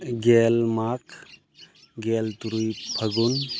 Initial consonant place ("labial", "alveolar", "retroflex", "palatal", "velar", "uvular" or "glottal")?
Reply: velar